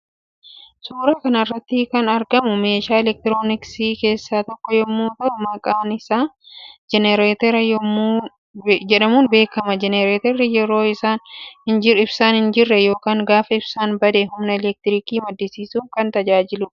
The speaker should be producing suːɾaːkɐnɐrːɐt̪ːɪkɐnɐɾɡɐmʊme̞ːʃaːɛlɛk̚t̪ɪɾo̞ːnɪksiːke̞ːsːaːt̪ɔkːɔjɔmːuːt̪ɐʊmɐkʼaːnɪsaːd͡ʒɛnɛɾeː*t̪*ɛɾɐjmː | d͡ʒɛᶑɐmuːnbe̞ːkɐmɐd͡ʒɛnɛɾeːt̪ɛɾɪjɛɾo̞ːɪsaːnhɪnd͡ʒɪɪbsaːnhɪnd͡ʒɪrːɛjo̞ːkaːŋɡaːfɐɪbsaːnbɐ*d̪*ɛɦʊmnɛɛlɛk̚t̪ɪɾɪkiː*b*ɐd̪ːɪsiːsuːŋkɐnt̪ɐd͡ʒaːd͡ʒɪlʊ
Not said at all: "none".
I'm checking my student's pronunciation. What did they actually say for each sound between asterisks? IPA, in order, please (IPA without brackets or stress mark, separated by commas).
t̪, d̪, m